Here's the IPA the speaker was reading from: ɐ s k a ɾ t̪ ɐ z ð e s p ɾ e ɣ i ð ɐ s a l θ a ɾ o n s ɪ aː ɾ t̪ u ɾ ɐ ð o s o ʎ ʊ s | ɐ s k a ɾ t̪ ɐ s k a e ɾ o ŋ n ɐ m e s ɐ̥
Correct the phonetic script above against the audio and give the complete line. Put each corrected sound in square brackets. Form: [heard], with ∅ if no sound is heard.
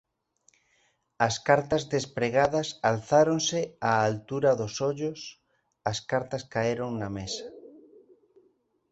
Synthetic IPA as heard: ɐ s k a ɾ t̪ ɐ z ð e s p ɾ e ɣ [a] ð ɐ s a l θ a ɾ o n s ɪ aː [l] t̪ u ɾ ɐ ð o s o ʎ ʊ s | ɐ s k a ɾ t̪ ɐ s k a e ɾ o ŋ n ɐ m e s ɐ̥